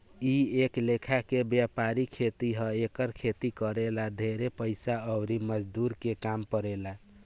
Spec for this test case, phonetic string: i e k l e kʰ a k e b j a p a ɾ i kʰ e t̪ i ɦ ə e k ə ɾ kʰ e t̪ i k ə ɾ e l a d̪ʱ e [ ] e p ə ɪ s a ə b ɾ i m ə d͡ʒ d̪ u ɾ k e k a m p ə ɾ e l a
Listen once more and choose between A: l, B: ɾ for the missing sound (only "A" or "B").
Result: B